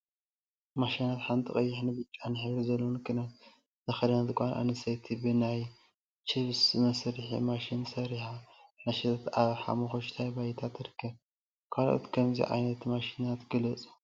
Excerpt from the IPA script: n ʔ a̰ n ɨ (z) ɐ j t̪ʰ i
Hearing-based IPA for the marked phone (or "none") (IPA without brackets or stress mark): s